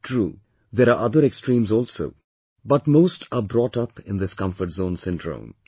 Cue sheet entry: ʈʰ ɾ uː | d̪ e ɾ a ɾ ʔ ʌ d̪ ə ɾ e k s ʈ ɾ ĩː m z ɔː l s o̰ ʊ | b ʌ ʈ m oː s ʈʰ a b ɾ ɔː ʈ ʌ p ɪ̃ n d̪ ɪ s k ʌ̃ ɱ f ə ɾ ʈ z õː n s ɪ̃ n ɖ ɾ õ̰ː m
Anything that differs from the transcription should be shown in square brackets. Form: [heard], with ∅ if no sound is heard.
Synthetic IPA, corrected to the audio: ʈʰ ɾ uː | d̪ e ɾ a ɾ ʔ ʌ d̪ ə ɾ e k s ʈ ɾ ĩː m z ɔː l s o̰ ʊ | b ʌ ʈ m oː s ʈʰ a b ɾ ɔː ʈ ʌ p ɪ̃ n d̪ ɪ s k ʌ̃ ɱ f ə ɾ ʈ z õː n s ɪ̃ n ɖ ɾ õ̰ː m